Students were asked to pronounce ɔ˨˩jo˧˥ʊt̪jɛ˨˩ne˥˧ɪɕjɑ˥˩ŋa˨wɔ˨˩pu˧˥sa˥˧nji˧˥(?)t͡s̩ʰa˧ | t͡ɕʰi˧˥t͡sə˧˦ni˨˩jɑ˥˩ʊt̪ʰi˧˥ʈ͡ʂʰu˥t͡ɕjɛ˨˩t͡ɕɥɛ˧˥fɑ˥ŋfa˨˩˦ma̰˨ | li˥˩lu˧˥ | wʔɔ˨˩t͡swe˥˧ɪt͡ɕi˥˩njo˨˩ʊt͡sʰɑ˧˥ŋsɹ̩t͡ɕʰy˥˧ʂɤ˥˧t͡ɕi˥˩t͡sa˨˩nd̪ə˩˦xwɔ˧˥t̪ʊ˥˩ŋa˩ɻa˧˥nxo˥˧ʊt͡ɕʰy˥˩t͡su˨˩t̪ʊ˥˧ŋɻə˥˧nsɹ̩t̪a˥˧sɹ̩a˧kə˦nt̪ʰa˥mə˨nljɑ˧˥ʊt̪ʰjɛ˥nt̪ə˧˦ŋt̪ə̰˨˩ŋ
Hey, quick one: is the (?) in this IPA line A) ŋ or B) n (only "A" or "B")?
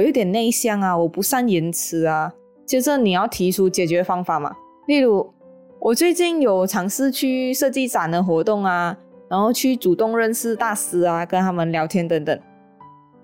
B